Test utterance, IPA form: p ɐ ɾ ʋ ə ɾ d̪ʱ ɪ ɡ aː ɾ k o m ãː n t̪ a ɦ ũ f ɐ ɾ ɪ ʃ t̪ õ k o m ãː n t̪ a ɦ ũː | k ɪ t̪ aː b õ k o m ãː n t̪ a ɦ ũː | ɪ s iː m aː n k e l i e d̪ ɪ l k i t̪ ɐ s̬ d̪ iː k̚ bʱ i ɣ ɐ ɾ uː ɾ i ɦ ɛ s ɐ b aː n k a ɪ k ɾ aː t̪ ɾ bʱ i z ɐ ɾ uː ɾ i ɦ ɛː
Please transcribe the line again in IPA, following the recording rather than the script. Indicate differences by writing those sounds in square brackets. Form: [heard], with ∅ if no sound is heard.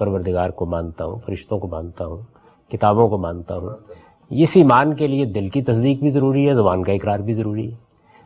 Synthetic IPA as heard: p ɐ ɾ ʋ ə ɾ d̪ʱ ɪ ɡ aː ɾ k o m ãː n t̪ a ɦ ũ f ɐ ɾ ɪ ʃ t̪ õ k o m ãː n t̪ a ɦ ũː | k ɪ t̪ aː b õ k o m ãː n t̪ a ɦ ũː | ɪ s iː m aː n k e l i e d̪ ɪ l k i t̪ ɐ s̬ d̪ iː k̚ bʱ i [z] ɐ ɾ uː ɾ i ɦ ɛ [z] ɐ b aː n k a ɪ k ɾ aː [∅] ɾ bʱ i z ɐ ɾ uː ɾ i ɦ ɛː